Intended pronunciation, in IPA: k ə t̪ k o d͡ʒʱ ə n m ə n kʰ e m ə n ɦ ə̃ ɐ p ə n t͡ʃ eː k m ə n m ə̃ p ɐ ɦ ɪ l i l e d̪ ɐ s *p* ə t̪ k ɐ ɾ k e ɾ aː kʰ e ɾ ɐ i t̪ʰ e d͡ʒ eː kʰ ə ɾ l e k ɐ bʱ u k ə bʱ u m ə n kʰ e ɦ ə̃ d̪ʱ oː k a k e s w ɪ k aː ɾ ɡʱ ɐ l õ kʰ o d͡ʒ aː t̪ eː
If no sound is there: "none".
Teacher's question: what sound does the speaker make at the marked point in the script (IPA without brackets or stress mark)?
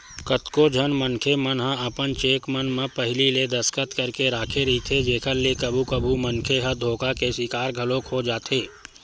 k